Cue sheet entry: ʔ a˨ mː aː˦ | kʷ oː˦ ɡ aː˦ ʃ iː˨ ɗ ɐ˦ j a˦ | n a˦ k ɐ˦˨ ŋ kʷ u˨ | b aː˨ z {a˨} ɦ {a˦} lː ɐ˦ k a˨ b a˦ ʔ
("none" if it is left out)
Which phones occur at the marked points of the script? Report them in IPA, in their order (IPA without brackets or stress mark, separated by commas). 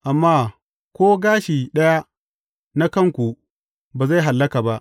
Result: a˦˨, a˨